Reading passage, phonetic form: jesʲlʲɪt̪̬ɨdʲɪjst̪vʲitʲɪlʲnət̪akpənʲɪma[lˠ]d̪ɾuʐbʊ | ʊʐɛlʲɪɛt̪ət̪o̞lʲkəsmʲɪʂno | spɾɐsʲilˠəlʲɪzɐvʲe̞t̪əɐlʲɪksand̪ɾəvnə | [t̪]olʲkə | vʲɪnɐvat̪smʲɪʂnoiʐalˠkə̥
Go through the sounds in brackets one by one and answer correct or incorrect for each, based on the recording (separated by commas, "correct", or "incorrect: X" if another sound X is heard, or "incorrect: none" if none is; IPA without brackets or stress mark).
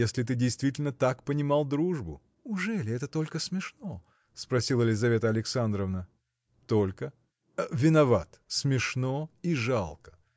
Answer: correct, correct